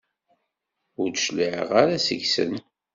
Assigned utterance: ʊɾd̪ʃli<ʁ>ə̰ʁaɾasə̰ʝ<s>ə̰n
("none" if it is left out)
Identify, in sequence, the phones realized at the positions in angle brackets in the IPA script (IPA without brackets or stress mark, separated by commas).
ʕ, s